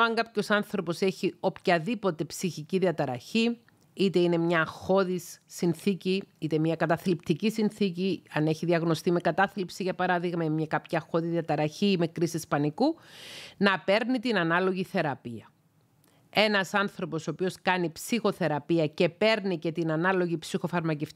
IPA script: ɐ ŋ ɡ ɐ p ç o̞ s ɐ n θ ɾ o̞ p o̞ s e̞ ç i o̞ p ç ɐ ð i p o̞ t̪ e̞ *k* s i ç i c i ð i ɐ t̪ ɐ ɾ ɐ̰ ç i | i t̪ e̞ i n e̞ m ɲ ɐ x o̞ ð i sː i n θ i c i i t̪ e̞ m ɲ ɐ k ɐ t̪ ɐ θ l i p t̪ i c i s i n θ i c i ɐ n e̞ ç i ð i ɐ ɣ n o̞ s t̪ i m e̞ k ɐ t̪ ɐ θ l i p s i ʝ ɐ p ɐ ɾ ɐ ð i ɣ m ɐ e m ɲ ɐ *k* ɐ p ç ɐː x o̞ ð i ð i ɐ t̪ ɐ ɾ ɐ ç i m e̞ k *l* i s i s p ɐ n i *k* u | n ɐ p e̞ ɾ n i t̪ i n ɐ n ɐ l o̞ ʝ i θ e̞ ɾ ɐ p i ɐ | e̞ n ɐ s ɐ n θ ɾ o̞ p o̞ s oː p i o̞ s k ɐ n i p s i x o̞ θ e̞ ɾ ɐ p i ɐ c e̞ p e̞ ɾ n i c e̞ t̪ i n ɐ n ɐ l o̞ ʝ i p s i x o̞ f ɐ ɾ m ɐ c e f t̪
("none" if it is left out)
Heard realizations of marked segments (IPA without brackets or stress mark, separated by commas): p, k, ɾ, k